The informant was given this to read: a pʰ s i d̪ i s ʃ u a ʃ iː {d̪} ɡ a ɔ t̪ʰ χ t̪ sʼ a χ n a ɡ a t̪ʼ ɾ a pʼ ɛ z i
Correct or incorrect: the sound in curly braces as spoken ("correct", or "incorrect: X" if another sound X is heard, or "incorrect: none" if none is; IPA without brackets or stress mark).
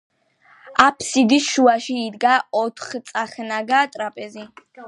correct